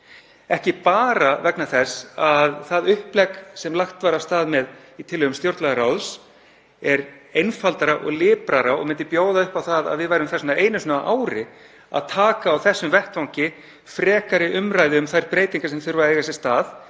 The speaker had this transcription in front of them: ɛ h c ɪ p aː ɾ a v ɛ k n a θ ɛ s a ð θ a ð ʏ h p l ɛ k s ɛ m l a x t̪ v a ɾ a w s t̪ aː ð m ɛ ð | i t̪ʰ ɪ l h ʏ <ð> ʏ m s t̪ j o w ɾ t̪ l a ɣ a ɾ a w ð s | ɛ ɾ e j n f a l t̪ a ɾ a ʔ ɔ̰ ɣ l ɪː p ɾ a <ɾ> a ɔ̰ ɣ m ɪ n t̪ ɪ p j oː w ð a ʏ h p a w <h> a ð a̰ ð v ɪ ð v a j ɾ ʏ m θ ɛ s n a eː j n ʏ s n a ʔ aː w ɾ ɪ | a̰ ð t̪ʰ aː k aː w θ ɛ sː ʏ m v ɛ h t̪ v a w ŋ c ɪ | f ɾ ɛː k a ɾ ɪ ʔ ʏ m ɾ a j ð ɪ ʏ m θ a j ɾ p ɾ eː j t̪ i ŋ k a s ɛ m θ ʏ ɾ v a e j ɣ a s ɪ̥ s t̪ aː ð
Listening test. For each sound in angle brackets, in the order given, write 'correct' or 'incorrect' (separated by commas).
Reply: incorrect, correct, incorrect